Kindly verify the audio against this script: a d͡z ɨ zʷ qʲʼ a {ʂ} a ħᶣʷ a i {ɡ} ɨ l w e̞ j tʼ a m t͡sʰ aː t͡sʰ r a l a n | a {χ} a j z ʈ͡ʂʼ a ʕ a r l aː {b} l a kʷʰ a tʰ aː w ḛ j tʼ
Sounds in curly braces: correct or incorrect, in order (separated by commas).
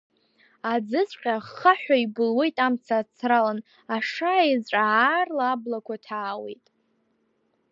incorrect, incorrect, incorrect, correct